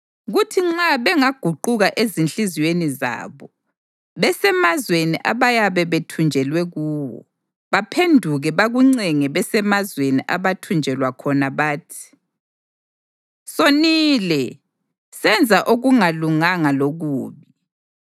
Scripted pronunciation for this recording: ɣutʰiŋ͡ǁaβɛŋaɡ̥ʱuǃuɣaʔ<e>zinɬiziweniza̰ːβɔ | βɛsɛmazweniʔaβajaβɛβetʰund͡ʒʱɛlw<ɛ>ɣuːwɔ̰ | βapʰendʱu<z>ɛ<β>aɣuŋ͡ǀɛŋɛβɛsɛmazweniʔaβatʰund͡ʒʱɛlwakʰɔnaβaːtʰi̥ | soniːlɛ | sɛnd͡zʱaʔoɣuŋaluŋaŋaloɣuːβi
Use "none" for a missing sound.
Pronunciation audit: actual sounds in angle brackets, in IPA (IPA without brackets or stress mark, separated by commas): e, ɛ, ɣ, β